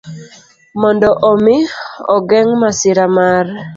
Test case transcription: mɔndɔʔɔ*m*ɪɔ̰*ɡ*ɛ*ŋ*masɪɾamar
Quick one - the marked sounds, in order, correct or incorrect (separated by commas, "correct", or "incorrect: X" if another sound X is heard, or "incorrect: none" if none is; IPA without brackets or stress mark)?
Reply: correct, correct, correct